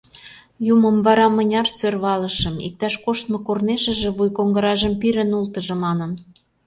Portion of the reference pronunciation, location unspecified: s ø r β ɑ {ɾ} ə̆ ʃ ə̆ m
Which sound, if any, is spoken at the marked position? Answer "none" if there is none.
l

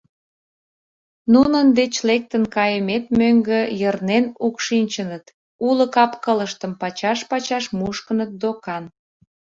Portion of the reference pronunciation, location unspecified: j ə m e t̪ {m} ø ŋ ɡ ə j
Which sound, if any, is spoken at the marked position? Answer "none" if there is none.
m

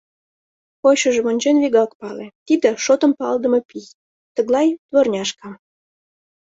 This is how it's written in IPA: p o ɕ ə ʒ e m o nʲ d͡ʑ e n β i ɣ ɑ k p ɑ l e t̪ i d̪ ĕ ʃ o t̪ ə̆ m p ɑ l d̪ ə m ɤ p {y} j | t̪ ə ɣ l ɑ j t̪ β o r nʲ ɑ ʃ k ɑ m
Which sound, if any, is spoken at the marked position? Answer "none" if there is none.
i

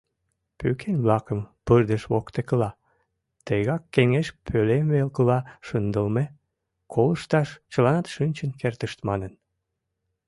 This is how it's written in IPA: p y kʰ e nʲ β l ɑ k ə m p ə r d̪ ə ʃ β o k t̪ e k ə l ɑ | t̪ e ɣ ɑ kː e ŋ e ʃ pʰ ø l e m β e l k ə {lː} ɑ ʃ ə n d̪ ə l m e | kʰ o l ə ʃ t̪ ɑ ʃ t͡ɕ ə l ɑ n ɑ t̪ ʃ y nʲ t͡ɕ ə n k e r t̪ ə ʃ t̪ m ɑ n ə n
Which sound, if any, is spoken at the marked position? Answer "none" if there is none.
l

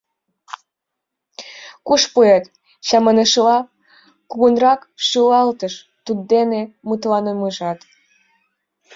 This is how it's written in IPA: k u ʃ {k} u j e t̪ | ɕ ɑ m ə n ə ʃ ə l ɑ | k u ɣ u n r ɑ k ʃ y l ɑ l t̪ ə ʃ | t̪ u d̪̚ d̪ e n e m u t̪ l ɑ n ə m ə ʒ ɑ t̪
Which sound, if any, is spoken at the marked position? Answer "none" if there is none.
p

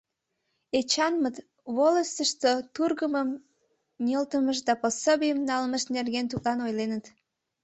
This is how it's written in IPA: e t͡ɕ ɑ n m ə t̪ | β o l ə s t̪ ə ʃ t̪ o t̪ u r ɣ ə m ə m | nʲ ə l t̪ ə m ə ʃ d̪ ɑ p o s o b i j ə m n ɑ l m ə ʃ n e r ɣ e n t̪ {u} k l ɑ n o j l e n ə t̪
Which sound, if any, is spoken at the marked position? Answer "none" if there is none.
u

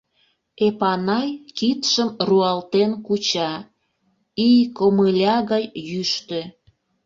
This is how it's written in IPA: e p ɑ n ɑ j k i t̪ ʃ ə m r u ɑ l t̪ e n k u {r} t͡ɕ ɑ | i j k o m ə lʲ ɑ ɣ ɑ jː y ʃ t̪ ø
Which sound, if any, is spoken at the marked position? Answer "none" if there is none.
none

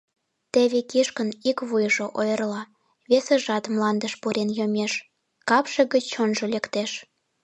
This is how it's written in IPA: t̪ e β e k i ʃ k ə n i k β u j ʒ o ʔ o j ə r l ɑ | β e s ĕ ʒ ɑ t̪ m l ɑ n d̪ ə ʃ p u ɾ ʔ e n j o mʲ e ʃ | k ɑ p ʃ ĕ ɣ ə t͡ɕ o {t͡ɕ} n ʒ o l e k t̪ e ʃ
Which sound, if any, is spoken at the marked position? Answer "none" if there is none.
none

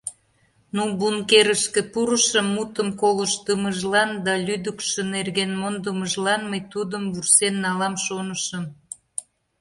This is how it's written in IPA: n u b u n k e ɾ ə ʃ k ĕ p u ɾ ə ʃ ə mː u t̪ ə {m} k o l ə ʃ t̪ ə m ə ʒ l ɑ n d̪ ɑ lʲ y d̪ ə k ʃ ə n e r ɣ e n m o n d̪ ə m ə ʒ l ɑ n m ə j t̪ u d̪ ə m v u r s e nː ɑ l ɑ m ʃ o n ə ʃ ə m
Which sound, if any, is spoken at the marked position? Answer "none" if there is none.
m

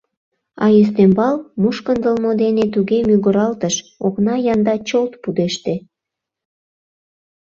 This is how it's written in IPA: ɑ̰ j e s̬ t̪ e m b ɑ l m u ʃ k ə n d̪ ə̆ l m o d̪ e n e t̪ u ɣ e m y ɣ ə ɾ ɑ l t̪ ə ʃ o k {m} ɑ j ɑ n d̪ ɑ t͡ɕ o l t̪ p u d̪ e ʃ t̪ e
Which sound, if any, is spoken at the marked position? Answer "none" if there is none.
n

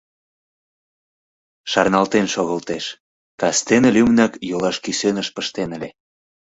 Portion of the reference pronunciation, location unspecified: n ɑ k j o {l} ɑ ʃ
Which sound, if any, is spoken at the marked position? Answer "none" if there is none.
l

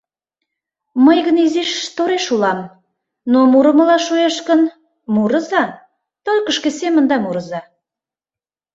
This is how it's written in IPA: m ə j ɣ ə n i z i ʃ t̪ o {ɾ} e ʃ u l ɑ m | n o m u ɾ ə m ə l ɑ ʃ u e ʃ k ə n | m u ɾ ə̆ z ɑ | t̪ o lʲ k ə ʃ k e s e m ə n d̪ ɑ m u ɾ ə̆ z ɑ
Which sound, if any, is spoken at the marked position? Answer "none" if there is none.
ɾ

